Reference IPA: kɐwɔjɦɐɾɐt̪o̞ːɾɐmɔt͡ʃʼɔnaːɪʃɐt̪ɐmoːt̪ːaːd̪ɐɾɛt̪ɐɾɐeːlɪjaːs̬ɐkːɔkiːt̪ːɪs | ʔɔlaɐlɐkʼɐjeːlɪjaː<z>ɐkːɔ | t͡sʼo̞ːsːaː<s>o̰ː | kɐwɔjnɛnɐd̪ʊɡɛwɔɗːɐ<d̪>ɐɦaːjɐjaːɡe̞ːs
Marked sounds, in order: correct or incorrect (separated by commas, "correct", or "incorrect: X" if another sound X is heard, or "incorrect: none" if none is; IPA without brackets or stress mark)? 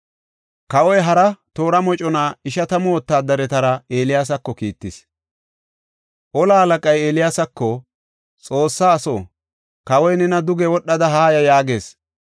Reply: incorrect: s, correct, correct